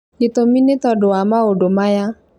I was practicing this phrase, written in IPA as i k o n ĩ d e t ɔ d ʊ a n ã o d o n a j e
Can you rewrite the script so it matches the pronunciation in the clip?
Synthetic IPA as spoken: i t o m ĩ n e t ɔ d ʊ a m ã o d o m a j a